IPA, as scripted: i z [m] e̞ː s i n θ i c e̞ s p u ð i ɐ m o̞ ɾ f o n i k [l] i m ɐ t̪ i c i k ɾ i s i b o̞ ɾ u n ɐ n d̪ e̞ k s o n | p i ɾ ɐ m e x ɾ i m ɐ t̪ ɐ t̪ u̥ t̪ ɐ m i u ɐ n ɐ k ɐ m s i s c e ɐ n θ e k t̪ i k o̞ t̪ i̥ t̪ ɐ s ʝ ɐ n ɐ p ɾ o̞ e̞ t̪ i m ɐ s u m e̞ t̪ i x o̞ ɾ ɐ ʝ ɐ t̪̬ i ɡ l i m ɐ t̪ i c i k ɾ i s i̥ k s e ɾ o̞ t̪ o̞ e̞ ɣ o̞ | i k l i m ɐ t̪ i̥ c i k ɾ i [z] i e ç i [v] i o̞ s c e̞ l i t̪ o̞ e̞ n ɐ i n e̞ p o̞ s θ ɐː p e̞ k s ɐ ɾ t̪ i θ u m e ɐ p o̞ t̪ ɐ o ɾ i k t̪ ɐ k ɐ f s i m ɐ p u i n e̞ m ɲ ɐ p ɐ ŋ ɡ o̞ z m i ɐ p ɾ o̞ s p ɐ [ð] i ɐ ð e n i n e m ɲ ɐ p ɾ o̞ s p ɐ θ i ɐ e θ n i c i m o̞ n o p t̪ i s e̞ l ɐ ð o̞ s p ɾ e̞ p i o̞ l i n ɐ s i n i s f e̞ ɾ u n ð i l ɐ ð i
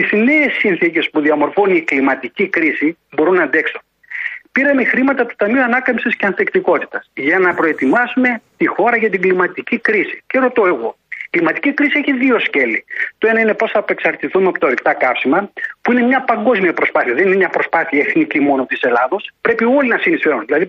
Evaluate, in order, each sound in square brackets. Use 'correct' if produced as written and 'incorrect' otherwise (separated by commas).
incorrect, correct, incorrect, incorrect, incorrect